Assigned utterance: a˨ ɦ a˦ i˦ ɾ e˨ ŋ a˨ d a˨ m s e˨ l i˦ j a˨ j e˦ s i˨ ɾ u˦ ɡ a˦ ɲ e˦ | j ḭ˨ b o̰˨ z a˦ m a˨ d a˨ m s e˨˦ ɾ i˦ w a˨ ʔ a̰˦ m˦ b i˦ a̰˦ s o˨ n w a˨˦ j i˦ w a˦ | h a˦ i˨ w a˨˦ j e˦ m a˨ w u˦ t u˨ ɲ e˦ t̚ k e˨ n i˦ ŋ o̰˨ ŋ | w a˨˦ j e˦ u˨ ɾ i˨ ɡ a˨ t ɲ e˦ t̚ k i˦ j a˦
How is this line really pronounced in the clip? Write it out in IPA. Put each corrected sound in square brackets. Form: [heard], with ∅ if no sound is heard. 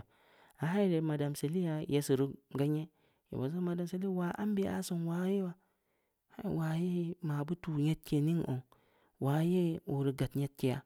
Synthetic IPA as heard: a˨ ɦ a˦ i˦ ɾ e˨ [m] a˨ d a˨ m s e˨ l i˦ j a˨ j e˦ s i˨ ɾ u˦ ɡ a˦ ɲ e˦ | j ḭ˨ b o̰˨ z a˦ m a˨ d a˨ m s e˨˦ [l] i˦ w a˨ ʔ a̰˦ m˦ b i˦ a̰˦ s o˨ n w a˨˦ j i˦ w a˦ | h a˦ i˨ w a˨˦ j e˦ m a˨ [b] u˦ t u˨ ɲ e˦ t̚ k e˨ n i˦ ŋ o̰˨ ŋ | w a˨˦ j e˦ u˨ ɾ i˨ ɡ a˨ t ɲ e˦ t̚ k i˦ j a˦